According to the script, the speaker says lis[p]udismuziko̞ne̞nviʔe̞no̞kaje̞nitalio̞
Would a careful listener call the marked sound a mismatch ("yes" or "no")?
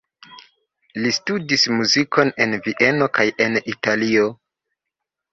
yes